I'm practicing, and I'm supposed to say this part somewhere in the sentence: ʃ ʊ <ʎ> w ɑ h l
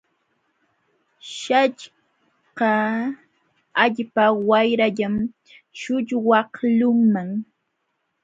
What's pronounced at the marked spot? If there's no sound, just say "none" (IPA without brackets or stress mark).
ʎ